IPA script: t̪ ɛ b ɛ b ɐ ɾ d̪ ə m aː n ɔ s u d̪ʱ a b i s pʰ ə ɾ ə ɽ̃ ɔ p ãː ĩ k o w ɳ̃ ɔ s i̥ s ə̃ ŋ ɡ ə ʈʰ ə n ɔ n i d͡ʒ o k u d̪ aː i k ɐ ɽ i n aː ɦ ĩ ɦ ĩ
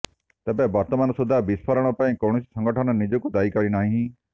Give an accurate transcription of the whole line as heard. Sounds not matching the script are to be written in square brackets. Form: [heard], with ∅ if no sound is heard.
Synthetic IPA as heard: t̪ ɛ b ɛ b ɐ ɾ [t̪] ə m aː n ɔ s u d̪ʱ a b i s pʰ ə ɾ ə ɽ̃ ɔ p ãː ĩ k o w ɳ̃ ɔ s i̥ s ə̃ ŋ ɡ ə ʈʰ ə n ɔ n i d͡ʒ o k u d̪ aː i k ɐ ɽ i n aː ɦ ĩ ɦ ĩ

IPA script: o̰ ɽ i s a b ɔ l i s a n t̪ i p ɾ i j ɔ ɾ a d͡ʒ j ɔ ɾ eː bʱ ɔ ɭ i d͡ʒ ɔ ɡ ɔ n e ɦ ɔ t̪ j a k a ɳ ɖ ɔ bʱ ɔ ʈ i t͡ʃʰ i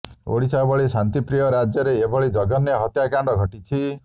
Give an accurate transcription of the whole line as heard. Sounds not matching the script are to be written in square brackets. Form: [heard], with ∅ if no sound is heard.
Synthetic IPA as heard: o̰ ɽ i s a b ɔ [ɭ] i s a n t̪ i p ɾ i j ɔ ɾ a d͡ʒ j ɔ ɾ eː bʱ ɔ ɭ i d͡ʒ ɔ ɡ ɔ n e ɦ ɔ t̪ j a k a ɳ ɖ ɔ [ɡʱ] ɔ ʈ i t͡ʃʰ i

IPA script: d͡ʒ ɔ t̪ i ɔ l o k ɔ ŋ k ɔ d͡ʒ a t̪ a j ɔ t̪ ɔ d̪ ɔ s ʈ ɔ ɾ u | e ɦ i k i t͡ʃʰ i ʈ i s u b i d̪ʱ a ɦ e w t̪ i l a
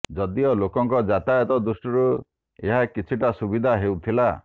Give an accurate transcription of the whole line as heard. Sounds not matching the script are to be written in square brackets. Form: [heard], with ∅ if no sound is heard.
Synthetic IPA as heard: d͡ʒ ɔ [d̪] i ɔ l o k ɔ ŋ k ɔ d͡ʒ a t̪ a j ɔ t̪ ɔ d̪ [u] s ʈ ɔ ɾ u | e ɦ [a] k i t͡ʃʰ i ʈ [a] s u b i d̪ʱ a ɦ e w [t̪ʰ] i l a

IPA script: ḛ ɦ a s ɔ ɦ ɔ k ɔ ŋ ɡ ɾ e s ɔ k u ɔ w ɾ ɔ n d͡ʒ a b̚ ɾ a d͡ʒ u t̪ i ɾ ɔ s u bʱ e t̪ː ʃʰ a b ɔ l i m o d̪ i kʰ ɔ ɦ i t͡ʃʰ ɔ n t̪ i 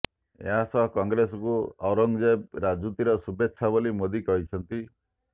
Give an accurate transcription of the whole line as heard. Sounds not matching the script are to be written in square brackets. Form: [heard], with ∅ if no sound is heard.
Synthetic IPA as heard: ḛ ɦ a s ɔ ɦ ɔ k ɔ ŋ ɡ ɾ e s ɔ k u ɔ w ɾ ɔ [ŋ] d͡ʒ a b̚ ɾ a d͡ʒ u t̪ i ɾ ɔ s u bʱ e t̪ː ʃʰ a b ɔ l i m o d̪ i [k] ɔ ɦ i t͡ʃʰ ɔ n t̪ i

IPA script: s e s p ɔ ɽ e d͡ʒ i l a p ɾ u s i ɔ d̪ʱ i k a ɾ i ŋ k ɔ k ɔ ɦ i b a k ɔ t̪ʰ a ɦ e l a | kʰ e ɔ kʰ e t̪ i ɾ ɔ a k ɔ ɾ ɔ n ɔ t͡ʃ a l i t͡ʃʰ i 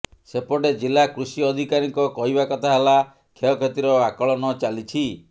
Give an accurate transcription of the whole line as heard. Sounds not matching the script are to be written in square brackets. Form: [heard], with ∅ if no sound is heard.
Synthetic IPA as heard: s e [∅] p ɔ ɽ e d͡ʒ i l a [k] ɾ u s i ɔ d̪ʱ i k a ɾ i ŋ k ɔ k ɔ ɦ i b a k ɔ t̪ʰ a ɦ e l a | kʰ e ɔ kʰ e t̪ i ɾ ɔ a k ɔ [ɭ] ɔ n ɔ t͡ʃ a l i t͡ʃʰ i

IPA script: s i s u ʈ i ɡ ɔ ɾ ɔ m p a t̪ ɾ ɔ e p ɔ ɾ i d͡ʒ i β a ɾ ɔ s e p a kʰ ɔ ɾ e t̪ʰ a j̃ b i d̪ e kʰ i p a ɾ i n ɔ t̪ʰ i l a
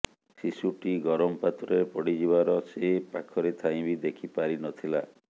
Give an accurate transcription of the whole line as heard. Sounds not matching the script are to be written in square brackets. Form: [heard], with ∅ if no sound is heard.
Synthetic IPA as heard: s i s u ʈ i ɡ ɔ ɾ ɔ m p a t̪ ɾ ɔ e p ɔ [ɽ] i d͡ʒ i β a ɾ ɔ s e p a kʰ ɔ ɾ e t̪ʰ a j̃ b i d̪ e kʰ i p a ɾ i n ɔ t̪ʰ i l a

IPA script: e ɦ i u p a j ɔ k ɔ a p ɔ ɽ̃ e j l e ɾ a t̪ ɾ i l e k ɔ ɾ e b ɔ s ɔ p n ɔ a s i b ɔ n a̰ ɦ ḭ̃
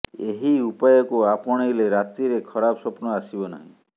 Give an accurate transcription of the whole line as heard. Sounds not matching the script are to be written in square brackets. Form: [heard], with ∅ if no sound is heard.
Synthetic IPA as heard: e ɦ i u p a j ɔ k [u] a p ɔ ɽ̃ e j l e ɾ a t̪ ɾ i [ɾ] e [kʰ] ɔ ɾ [a] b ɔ s ɔ p n ɔ a s i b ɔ n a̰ ɦ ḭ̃

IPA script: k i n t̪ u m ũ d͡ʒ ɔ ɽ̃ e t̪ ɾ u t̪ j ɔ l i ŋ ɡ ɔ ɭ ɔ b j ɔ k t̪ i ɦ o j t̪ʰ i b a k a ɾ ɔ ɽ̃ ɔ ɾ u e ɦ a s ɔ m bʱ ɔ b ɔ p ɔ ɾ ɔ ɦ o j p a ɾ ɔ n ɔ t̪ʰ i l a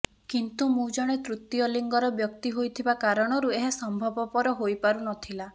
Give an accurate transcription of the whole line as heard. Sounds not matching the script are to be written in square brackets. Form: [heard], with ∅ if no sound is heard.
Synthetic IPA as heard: k i n t̪ u m ũ d͡ʒ ɔ ɽ̃ e t̪ ɾ u t̪ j ɔ l i ŋ ɡ ɔ [ɾ] ɔ b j ɔ k t̪ i ɦ o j t̪ʰ i b a k a ɾ ɔ ɽ̃ ɔ ɾ u e ɦ a s ɔ m bʱ ɔ b ɔ p ɔ ɾ ɔ ɦ o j p a ɾ [u] n ɔ t̪ʰ i l a

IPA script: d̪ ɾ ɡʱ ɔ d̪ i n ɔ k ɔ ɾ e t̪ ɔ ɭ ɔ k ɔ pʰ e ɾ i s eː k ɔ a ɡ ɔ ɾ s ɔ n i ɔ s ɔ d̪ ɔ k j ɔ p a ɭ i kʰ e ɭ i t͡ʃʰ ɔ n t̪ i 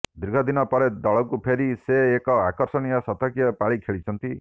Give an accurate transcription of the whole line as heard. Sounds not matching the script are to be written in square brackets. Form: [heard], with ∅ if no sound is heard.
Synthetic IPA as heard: d̪ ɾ ɡʱ ɔ d̪ i n ɔ [p] ɔ ɾ e [d̪] ɔ ɭ ɔ k [u] pʰ e ɾ i s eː k ɔ a [k] ɔ ɾ s ɔ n i ɔ s ɔ [t̪] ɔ k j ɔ p a ɭ i kʰ e ɭ i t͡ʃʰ ɔ n t̪ i

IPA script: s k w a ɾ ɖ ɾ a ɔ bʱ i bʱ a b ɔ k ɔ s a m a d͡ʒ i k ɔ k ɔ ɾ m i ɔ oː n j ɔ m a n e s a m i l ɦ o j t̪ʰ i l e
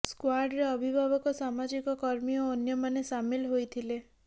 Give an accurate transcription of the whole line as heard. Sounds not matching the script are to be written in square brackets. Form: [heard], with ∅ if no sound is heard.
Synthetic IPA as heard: s k w a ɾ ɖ ɾ [e] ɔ bʱ i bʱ a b ɔ k ɔ s a m a d͡ʒ i k ɔ k ɔ ɾ m i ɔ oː n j ɔ m a n e s a m i l ɦ o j t̪ʰ i l e

